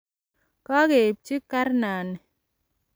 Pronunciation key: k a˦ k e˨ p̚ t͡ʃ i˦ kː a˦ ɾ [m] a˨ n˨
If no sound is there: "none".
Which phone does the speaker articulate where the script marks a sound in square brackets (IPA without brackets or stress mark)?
n